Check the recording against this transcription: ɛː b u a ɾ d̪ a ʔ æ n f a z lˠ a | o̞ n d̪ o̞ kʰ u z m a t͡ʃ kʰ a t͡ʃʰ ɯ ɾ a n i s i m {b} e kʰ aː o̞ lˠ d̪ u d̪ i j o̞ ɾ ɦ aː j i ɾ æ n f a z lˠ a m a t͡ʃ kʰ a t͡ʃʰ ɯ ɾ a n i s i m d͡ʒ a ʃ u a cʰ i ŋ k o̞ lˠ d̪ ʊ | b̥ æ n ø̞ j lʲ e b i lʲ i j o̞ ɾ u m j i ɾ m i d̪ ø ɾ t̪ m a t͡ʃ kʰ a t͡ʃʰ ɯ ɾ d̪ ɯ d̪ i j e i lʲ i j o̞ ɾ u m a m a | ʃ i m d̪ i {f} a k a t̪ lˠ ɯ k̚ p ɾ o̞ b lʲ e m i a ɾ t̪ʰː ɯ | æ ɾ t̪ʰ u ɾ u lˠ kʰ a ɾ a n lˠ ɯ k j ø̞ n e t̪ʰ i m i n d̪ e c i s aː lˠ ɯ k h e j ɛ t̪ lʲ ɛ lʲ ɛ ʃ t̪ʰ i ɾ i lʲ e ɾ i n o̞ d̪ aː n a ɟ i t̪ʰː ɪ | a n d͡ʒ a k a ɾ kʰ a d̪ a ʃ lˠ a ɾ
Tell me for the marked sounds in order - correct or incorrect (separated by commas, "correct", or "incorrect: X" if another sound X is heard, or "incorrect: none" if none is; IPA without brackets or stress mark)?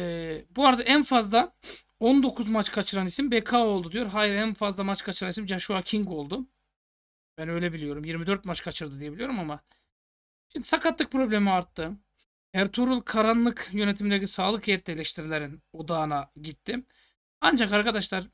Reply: correct, incorrect: s